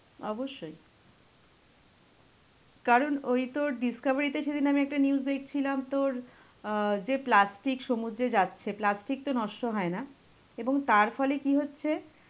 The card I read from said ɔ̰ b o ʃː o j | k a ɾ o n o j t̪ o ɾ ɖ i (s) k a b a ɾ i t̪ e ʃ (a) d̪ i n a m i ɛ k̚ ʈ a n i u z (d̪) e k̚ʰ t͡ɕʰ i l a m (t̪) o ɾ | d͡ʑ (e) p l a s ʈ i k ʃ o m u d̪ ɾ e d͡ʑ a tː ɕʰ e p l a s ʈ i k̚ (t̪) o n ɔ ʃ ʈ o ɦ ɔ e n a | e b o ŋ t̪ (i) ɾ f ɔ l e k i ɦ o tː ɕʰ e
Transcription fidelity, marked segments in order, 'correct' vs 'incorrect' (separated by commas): correct, incorrect, correct, correct, correct, correct, incorrect